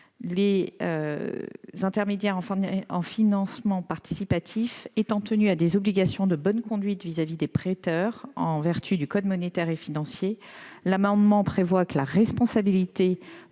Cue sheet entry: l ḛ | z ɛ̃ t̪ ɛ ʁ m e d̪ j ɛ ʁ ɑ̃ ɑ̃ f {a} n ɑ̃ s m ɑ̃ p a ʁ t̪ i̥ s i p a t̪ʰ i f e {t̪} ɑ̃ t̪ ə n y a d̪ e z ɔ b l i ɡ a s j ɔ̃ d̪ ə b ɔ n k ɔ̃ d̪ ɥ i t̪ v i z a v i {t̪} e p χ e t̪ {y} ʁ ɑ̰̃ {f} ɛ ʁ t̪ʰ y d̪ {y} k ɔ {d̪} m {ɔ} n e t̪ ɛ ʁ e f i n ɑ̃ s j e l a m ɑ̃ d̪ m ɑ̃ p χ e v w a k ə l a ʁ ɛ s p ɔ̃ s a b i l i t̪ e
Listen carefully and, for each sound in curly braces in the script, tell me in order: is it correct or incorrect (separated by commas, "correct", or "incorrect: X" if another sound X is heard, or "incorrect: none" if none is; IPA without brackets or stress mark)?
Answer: incorrect: i, correct, incorrect: d̪, incorrect: œ, incorrect: v, correct, correct, correct